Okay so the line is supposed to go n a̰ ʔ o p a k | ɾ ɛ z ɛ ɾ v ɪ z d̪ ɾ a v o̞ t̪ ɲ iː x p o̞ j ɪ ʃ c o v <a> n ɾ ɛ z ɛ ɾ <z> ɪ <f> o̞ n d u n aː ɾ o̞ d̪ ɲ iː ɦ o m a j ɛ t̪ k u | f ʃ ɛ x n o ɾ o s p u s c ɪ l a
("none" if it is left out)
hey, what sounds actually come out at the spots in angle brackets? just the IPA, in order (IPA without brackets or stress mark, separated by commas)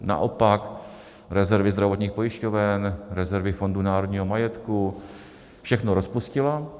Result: ɛ, v, f